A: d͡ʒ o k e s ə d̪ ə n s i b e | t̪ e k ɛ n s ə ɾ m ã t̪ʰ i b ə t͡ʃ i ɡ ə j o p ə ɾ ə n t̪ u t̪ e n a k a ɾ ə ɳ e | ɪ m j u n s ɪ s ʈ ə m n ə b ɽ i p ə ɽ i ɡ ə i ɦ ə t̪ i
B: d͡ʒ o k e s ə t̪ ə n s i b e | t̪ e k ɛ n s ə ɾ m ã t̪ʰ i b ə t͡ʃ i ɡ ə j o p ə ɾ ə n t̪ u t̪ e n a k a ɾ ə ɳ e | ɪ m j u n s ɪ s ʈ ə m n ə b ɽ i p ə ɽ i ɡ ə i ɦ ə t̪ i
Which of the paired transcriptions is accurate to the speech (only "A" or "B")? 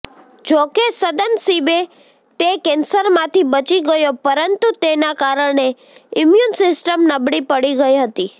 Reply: A